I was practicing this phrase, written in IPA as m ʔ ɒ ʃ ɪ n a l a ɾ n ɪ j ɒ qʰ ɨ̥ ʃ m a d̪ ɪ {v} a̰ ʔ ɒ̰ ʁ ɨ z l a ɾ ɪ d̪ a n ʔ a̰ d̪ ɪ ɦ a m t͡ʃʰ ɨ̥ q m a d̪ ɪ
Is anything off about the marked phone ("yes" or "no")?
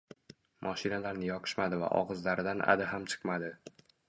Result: no